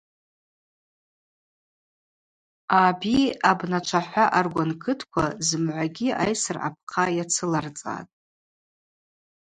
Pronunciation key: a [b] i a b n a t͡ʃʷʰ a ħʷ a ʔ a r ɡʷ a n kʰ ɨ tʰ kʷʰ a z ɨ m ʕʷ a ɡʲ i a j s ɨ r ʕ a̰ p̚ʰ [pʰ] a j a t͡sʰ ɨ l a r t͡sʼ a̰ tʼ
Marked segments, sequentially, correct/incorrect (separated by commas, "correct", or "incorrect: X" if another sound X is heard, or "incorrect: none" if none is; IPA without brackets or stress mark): correct, incorrect: qʰ